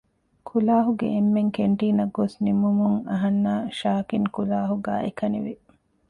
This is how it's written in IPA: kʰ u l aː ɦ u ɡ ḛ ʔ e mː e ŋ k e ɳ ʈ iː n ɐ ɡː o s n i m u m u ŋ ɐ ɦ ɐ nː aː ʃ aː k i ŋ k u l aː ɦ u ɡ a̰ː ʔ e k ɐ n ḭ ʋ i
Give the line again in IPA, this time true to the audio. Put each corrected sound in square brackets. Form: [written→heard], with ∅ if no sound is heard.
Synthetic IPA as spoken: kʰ u l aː ɦ u ɡ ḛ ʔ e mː e ŋ k e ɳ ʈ iː n ɐ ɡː o s n i m u m u ŋ ɐ ɦ ɐ nː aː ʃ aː k i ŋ k u l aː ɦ u ɡ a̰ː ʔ e k ɐ n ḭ ʋ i